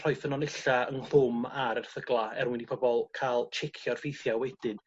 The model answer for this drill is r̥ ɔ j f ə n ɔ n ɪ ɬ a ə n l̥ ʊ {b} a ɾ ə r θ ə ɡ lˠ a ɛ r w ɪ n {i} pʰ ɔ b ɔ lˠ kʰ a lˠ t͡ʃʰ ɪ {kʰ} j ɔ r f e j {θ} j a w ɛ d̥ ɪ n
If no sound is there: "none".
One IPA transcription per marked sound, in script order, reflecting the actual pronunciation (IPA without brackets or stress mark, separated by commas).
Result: m, i, kʰ, θ